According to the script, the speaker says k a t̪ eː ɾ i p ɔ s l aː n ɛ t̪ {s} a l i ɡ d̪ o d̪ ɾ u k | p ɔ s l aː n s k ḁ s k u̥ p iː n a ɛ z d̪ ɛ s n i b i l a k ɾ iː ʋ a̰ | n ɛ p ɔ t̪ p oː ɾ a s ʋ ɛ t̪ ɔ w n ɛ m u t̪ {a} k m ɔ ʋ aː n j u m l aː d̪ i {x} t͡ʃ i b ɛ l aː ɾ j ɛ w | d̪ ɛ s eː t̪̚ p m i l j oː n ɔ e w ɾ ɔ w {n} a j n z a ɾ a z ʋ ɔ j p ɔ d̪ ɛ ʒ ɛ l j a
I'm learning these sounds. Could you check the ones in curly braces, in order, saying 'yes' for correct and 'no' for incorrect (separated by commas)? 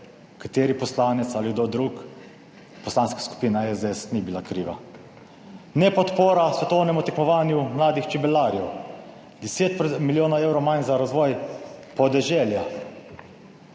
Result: yes, no, yes, no